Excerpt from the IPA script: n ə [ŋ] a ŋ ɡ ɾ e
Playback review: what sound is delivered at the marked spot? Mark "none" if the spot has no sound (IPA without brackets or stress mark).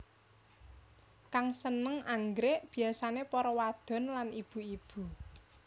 ŋ